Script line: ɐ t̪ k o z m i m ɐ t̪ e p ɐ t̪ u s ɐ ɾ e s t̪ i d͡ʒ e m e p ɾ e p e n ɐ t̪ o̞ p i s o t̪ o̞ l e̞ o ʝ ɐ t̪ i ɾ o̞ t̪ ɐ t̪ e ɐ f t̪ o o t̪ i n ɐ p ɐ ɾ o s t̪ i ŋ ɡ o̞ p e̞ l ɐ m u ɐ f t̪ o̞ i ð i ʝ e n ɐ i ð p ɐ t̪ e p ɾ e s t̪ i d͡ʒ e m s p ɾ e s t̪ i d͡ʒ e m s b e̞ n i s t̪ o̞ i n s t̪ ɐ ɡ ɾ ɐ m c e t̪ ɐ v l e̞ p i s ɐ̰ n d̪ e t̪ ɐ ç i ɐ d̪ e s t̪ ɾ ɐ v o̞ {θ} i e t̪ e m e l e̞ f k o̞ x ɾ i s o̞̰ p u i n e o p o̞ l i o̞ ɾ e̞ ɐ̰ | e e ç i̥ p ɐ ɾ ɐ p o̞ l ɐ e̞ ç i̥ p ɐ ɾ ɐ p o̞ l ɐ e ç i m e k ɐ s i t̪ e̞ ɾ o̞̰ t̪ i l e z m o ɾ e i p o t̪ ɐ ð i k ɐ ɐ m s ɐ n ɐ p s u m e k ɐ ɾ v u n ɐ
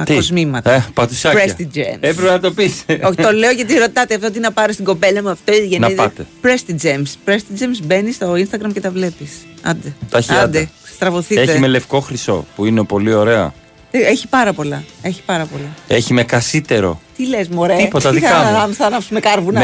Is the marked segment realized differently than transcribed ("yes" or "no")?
no